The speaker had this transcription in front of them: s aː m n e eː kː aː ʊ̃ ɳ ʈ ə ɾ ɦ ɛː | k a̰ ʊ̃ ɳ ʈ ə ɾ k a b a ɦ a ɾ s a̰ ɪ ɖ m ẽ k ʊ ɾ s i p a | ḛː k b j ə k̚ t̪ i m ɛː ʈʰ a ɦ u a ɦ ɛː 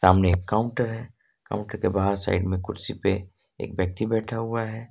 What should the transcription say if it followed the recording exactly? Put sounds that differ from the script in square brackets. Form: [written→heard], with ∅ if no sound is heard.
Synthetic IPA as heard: s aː m n e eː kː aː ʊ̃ ɳ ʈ ə ɾ ɦ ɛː | k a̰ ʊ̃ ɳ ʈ ə ɾ k [a→e] b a ɦ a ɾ s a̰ ɪ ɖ m ẽ k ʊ ɾ s i p [a→e] | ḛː k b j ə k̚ t̪ i [m→b] ɛː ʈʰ a ɦ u a ɦ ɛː